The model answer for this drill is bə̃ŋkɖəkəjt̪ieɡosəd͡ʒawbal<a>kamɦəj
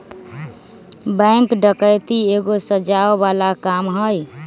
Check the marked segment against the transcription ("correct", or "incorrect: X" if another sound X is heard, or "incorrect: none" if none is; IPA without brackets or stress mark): correct